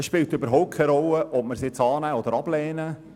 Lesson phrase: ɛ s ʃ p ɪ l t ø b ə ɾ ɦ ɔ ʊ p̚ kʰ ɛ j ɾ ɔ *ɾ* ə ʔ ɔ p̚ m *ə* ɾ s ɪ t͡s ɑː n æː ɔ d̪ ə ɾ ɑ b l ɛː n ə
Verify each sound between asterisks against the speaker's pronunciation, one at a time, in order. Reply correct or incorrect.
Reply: incorrect: l, correct

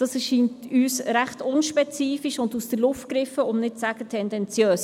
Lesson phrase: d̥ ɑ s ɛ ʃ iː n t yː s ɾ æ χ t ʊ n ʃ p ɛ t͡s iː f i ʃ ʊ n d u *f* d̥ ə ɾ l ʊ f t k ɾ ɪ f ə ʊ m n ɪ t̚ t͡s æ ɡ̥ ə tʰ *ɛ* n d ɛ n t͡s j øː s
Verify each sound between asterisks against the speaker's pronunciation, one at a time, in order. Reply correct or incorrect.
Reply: incorrect: s, correct

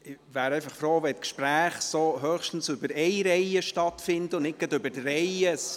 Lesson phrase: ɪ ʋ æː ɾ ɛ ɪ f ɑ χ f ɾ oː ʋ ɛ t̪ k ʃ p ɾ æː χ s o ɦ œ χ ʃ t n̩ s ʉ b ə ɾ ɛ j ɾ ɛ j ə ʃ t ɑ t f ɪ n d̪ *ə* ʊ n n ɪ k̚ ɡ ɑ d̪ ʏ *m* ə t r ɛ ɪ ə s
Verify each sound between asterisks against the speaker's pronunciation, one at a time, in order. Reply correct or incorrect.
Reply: correct, incorrect: b

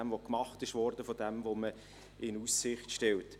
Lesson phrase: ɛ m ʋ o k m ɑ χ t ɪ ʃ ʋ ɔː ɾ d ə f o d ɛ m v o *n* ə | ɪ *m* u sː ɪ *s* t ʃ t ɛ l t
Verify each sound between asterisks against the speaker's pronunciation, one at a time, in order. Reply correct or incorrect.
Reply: incorrect: m, incorrect: n, incorrect: χ

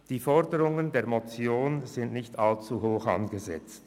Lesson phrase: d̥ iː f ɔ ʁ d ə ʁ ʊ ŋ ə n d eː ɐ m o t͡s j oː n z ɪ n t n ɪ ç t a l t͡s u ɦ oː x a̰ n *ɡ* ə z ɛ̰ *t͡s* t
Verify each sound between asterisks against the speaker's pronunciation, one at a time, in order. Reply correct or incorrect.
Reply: correct, correct

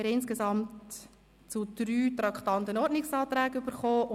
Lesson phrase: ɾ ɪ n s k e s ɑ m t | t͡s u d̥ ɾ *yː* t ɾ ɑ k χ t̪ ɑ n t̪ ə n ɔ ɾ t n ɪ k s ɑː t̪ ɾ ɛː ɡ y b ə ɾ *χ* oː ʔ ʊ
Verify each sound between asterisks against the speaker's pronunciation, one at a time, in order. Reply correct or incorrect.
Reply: correct, correct

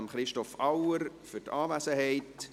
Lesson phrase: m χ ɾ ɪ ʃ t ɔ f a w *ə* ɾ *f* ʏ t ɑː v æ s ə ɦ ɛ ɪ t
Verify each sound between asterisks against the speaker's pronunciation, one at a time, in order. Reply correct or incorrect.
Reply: correct, correct

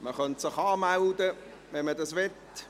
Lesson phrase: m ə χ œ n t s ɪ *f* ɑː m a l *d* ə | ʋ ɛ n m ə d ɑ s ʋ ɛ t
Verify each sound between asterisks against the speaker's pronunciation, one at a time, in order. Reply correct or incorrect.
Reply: incorrect: χ, correct

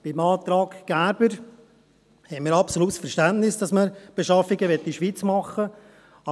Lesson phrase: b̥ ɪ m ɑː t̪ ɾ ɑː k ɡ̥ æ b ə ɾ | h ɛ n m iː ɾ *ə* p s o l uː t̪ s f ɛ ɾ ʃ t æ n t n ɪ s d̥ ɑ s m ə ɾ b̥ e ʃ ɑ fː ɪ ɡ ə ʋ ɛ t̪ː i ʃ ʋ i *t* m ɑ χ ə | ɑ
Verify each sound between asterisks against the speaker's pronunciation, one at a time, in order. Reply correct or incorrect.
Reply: incorrect: ɑ, incorrect: t͡s

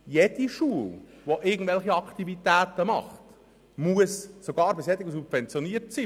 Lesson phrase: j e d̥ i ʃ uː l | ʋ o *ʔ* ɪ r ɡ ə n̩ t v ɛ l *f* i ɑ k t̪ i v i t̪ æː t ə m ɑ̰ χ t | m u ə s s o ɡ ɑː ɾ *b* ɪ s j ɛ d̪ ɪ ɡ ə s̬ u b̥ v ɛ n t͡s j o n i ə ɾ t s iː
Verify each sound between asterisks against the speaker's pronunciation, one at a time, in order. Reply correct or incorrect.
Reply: correct, incorrect: χ, correct

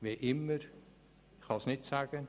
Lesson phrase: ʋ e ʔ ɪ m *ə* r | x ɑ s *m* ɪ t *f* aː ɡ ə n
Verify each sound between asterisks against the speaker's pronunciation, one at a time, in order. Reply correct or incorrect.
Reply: correct, incorrect: n, incorrect: s

